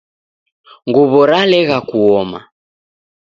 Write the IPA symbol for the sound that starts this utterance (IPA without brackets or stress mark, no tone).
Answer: ŋ